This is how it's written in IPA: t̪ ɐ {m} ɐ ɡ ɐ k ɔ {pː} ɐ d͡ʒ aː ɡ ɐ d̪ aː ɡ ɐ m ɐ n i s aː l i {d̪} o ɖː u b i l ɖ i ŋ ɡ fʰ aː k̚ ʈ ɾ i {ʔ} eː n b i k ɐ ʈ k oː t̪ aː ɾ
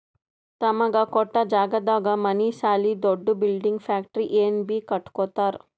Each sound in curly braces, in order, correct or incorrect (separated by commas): correct, incorrect, correct, correct